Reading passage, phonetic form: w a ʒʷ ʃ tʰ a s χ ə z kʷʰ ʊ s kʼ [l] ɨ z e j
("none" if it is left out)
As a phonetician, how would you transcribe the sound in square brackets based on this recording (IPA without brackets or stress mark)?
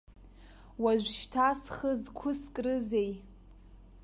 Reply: r